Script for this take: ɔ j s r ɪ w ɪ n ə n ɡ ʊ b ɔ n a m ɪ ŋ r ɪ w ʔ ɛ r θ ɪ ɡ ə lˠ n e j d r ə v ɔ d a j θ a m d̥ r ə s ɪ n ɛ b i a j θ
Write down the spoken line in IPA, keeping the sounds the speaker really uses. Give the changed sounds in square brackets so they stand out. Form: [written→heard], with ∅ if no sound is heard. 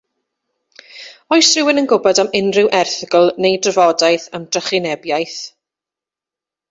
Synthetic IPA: ɔ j s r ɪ w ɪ n ə n ɡ ʊ b ɔ [n→d] a m ɪ [ŋ→n] r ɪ w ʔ ɛ r θ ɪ ɡ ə lˠ n e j d r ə v ɔ d a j θ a m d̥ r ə [s→χ] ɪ n ɛ b [i→j] a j θ